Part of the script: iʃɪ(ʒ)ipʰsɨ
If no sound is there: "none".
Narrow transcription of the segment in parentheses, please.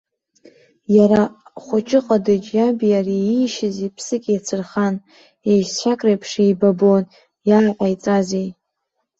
z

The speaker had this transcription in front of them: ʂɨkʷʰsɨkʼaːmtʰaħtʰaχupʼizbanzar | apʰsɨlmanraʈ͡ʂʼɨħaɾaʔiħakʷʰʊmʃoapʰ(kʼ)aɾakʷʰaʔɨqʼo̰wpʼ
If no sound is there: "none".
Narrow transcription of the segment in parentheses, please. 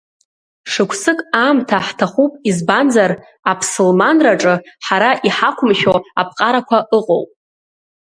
qʼ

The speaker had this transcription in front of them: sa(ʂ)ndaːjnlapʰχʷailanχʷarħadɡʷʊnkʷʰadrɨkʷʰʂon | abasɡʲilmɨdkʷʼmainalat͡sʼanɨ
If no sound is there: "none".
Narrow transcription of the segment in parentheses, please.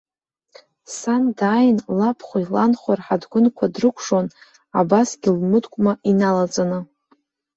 none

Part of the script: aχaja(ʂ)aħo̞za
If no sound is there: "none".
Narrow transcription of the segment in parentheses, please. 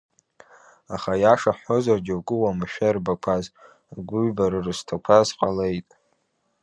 ʂ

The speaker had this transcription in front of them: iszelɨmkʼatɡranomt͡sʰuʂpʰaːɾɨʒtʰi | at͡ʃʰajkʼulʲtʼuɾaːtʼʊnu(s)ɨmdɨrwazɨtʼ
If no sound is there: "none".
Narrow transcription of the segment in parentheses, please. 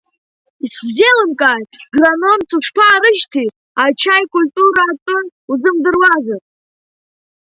z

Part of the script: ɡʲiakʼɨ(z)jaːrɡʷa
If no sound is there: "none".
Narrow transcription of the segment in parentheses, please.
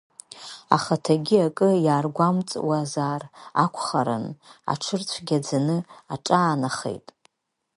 none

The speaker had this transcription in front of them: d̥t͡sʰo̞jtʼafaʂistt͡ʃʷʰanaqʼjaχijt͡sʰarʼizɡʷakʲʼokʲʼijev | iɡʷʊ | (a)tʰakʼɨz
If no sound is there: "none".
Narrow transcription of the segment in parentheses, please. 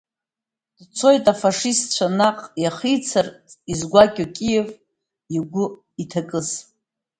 i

